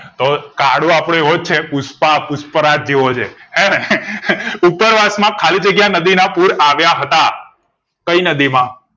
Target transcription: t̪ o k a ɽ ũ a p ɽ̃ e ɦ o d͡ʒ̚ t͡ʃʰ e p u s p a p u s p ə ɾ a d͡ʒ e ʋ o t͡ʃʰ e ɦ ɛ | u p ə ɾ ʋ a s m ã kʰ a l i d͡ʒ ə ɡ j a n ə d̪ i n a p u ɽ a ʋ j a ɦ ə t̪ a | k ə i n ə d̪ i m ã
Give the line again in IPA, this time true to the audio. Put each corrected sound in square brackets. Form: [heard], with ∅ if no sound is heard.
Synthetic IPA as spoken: t̪ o k a ɽ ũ a p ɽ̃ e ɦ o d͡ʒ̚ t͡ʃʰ e p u s p a p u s p ə ɾ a d͡ʒ e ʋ o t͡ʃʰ e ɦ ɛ | u p ə ɾ ʋ a s m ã kʰ a l i d͡ʒ ə ɡ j a n ə d̪ i n a p u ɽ a ʋ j a ɦ ə t̪ a | k ə i n ə d̪ i m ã